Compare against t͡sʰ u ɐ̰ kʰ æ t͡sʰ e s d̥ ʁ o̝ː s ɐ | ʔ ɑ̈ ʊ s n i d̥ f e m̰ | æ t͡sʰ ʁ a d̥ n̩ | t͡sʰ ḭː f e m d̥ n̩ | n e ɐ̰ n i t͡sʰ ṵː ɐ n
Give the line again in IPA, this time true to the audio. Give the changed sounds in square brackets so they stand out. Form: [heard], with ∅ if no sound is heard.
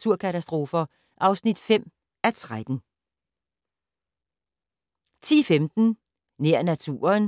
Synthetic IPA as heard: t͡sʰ u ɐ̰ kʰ æ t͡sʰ [æ] s d̥ ʁ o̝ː [f] ɐ | ʔ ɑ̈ ʊ s n i d̥ f e m̰ | æ t͡sʰ ʁ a d̥ n̩ | t͡sʰ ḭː f e m d̥ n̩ | n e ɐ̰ n [æ] t͡sʰ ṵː ɐ n